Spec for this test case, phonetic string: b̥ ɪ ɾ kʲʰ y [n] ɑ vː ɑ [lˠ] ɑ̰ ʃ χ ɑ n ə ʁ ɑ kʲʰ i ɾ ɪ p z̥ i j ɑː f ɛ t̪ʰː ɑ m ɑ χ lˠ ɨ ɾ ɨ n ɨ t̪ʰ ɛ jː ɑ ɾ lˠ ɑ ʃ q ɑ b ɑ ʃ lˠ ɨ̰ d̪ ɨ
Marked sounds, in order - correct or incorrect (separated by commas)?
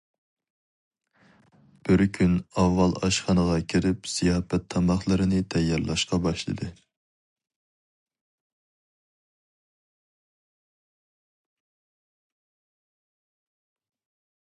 correct, correct